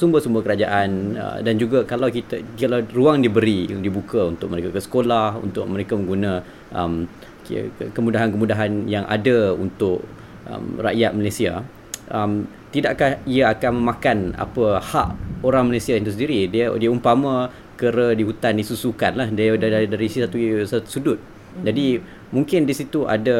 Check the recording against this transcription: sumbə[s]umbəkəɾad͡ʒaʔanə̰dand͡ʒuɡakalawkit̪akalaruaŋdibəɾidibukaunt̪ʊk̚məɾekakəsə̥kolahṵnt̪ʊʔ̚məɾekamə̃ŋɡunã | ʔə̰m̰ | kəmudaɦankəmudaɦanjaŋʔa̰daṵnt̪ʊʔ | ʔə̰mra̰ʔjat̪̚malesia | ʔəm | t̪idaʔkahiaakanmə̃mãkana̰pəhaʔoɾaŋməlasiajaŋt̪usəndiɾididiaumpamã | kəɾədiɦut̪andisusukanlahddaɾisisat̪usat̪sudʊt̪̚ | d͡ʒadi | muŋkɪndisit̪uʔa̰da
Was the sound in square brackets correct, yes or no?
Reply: yes